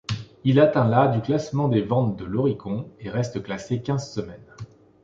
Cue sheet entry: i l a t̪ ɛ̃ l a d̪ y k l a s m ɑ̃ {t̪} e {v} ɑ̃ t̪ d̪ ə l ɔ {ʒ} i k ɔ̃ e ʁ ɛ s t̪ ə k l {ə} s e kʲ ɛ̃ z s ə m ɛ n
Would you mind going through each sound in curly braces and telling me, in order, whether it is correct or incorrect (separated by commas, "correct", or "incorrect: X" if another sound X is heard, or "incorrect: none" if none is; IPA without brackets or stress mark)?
incorrect: d̪, correct, incorrect: ʁ, incorrect: a